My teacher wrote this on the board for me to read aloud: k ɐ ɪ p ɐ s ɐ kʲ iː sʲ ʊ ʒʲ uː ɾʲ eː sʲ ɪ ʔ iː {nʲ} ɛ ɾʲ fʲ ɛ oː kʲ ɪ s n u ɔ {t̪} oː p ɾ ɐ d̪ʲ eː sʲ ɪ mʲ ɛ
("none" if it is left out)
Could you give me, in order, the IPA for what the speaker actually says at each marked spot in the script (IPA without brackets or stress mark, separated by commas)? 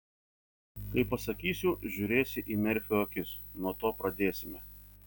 mʲ, t̪